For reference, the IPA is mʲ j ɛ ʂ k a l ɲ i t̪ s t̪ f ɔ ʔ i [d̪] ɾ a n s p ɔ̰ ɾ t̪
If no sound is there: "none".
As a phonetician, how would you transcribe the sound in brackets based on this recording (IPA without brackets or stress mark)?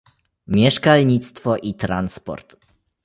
t̪